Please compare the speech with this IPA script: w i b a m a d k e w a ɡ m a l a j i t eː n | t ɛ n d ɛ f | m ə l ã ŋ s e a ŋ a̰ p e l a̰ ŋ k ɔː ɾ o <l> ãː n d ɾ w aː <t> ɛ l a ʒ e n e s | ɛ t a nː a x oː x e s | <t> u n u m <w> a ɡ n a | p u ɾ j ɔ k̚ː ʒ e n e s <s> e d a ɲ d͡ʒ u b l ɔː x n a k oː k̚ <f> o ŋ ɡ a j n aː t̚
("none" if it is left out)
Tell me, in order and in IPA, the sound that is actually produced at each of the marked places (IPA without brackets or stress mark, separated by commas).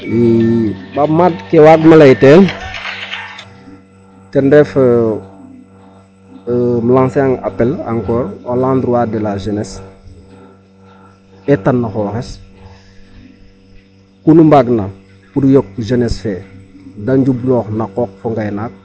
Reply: l, d, k, b, f, f